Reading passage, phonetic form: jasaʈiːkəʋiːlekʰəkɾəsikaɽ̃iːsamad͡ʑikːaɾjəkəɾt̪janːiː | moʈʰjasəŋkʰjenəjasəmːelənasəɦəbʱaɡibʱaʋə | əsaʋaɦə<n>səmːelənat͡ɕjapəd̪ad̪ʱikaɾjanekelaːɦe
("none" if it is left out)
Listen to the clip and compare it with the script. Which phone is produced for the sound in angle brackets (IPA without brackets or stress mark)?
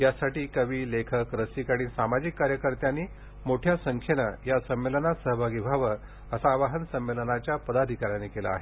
n